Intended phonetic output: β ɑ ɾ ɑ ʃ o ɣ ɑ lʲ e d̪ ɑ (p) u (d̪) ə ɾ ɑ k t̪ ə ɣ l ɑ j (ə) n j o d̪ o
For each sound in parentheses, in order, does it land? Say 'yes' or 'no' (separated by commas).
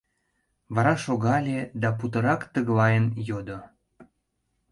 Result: yes, no, yes